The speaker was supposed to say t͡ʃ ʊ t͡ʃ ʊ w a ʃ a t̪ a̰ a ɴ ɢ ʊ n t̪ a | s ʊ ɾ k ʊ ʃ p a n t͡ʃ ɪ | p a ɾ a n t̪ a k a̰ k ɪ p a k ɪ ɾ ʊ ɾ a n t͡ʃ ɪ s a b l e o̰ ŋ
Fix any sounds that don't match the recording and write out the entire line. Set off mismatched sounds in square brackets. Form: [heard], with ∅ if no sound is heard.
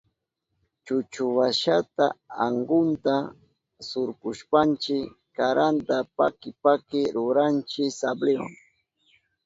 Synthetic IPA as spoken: t͡ʃ ʊ t͡ʃ ʊ w a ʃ a t̪ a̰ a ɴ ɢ ʊ n t̪ a | s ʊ ɾ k ʊ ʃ p a n t͡ʃ ɪ | [k] a ɾ a n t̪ a [p] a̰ k ɪ p a k ɪ ɾ ʊ ɾ a n t͡ʃ ɪ s a b l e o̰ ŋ